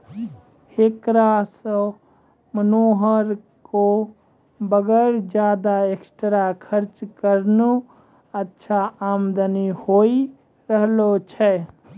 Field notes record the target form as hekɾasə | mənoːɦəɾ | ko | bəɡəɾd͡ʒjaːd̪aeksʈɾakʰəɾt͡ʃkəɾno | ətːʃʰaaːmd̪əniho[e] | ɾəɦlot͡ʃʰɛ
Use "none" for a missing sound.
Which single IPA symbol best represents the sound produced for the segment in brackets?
i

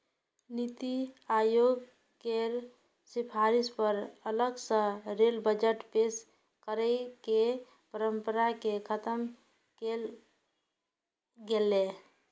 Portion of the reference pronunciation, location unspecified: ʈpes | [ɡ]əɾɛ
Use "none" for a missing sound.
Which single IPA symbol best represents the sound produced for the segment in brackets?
k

